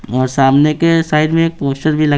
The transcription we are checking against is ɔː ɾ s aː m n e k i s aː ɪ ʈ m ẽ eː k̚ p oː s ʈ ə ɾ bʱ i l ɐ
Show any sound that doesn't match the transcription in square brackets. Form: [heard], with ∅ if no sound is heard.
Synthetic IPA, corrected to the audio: ɔː ɾ s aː m n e k [e] s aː ɪ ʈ m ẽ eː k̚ p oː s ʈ ə ɾ bʱ i l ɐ